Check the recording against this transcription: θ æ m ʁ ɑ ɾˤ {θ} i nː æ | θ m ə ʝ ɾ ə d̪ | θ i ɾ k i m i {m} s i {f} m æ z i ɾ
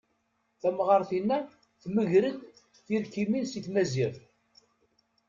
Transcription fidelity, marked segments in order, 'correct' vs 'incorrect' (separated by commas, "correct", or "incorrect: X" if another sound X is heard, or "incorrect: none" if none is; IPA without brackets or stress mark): correct, incorrect: n, incorrect: θ